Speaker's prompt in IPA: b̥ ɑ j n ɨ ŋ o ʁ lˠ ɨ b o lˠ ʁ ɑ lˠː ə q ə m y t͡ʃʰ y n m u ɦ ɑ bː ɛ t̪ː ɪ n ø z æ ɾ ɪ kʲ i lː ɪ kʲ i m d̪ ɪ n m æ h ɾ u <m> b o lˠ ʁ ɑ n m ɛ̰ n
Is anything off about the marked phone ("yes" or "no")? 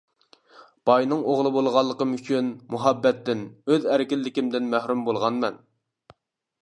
no